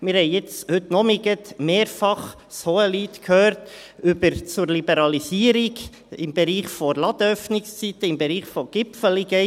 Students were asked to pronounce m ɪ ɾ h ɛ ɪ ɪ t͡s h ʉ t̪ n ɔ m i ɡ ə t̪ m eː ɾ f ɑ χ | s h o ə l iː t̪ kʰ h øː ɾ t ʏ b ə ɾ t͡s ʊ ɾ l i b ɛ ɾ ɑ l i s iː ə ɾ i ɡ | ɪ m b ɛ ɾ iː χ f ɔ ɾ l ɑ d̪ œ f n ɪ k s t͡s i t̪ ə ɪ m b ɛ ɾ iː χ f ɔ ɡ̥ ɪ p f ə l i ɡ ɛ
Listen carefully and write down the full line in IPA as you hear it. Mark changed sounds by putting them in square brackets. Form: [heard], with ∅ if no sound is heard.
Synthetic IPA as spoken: m ɪ ɾ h ɛ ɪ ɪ t͡s h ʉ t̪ n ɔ m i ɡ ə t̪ m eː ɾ f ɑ χ | s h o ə l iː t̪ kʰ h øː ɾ t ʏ b ə ɾ t͡s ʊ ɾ l i b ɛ ɾ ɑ l i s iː ə ɾ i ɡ | ɪ m b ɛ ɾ iː χ f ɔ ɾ l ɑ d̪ œ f n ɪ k s t͡s i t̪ ə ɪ m b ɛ ɾ iː χ f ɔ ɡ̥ ɪ p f ə l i ɡ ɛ